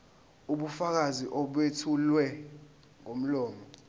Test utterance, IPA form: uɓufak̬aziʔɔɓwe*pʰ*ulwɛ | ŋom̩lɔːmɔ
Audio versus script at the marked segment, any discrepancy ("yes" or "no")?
yes